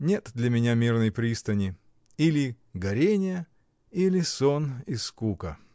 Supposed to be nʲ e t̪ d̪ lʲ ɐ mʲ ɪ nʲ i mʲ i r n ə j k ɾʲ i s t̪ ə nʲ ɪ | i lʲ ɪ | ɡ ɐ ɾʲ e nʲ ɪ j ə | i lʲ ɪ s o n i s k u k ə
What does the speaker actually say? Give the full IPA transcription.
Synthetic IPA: nʲ e t̪ d̪ lʲ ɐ mʲ ɪ nʲ a mʲ i r n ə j p ɾʲ i s t̪ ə nʲ ɪ | i lʲ ɪ | ɡ ɐ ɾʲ e nʲ ɪ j ə | i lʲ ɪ s o n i s k u k ə

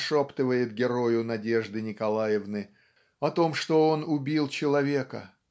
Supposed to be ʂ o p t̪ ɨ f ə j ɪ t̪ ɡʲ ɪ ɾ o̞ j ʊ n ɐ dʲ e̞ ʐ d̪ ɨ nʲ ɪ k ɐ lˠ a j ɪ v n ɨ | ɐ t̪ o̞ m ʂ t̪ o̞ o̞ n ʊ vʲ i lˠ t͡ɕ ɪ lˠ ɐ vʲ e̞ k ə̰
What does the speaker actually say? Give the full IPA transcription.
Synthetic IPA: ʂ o p t̪ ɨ v ə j ɪ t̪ ɡʲ ɪ ɾ o̞ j ʊ n ɐ dʲ e̞ ʐ d̪ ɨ nʲ ɪ k ɐ lˠ a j ɪ v n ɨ | ɐ t̪ o̞ m ʂ t̪ o̞ o̞ n ʊ bʲ i lˠ t͡ɕ ɪ lˠ ɐ vʲ e̞ k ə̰

